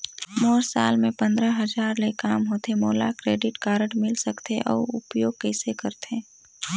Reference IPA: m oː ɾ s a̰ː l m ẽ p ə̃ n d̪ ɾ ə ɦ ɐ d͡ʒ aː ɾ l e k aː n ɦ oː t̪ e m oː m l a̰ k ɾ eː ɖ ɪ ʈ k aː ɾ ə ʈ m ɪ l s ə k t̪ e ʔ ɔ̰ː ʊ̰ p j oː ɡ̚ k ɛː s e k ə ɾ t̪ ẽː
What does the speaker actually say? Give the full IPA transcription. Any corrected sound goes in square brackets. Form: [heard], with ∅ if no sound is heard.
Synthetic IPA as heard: m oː ɾ s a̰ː l m ẽ p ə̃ n d̪ ɾ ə ɦ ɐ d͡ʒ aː ɾ l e k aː [m] ɦ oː t̪ e m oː [∅] l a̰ k ɾ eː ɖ ɪ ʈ k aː ɾ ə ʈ m ɪ l s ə k t̪ e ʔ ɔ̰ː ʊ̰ p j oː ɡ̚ k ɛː s e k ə ɾ t̪ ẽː